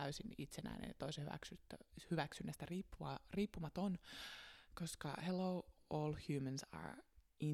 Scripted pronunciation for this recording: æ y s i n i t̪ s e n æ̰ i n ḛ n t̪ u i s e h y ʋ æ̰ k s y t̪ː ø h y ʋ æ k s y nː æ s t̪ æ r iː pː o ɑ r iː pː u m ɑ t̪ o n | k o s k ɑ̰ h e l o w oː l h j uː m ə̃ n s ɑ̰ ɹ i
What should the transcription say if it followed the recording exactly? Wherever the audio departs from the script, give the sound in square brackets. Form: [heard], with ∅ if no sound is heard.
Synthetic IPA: æ y s i n i t̪ s e n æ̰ i n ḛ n t̪ [o] i s e h y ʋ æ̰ k s y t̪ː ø h y ʋ æ k s y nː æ s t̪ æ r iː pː [u] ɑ r iː pː u m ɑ t̪ o n | k o s k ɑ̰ h e l o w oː l h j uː m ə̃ n s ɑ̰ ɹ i